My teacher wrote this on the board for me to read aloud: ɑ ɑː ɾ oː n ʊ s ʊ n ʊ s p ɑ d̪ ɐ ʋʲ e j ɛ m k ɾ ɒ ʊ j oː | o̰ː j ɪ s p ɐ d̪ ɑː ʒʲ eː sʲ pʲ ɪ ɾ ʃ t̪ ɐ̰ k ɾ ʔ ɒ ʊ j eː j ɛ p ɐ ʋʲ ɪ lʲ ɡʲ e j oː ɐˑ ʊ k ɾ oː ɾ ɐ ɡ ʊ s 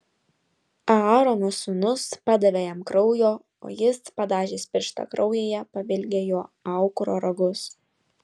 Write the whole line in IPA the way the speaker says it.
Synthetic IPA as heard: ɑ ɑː ɾ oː n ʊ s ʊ n ʊ s p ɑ d̪ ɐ ʋʲ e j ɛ m k ɾ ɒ ʊ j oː | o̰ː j ɪ s p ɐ d̪ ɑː ʒʲ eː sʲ pʲ ɪ ɾ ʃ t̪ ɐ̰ k ɾ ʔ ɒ ʊ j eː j ɛ p ɐ ʋʲ ɪ lʲ ɡʲ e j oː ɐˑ ʊ k ɾ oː ɾ ɐ ɡ ʊ s